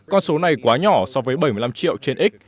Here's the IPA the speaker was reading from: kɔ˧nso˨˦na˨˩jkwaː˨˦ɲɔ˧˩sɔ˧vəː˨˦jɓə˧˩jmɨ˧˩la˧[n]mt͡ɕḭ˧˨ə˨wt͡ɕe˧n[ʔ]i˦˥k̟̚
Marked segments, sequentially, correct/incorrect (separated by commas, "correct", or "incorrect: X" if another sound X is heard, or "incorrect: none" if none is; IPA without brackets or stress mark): incorrect: none, correct